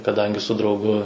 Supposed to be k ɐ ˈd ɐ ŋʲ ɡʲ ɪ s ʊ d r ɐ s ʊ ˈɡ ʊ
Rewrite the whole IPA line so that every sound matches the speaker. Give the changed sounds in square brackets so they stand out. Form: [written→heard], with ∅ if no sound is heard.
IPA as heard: k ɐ ˈd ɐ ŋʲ ɡʲ ɪ s ʊ d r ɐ [s→∅] ʊ ˈɡ ʊ